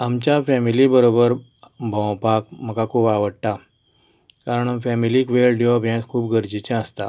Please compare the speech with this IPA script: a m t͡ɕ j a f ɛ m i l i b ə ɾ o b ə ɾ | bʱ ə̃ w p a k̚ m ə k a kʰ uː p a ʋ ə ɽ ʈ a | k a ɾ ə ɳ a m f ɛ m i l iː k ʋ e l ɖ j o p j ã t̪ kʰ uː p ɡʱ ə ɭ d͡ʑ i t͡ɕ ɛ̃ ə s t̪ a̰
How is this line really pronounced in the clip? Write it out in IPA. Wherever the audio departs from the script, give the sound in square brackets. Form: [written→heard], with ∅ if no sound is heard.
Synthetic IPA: a m t͡ɕ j a f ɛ m i l i b ə ɾ o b ə ɾ | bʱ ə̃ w p a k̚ m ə k a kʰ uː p a ʋ ə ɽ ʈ a | k a ɾ ə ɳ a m f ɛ m i l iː k ʋ e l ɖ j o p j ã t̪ kʰ uː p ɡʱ ə [ɭ→ɾ] d͡ʑ i t͡ɕ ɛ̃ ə s t̪ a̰